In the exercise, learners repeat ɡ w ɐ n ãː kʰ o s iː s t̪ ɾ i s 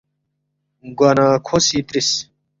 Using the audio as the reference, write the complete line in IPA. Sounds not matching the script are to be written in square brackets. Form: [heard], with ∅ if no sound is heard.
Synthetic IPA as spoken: ɡ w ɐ n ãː kʰ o s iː [∅] t̪ ɾ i s